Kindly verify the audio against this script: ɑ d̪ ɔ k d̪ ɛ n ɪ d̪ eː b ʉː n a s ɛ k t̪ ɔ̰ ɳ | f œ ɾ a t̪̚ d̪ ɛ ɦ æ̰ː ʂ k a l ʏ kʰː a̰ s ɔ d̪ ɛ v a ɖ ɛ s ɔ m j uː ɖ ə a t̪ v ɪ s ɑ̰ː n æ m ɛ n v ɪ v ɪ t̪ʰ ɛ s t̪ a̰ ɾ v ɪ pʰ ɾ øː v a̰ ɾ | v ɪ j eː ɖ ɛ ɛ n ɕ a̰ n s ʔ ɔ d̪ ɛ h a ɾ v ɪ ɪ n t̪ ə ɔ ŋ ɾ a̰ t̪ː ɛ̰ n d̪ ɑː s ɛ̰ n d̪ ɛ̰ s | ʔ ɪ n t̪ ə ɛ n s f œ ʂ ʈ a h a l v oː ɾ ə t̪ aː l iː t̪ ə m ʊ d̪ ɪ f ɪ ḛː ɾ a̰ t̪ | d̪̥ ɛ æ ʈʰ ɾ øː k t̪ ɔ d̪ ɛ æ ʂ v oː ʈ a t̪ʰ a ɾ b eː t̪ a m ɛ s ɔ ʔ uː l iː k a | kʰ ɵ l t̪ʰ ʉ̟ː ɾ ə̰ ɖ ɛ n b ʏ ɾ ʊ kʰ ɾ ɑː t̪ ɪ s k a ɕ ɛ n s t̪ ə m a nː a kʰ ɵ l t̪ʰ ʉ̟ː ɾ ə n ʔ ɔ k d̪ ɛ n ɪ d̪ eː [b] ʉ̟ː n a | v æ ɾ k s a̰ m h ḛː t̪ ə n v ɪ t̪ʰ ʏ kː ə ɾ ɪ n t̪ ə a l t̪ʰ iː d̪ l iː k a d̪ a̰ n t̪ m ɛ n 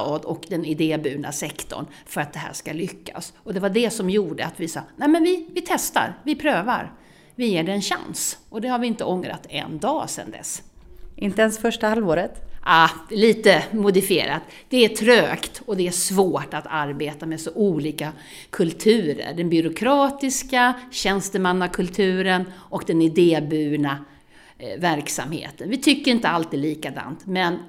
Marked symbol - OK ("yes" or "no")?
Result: yes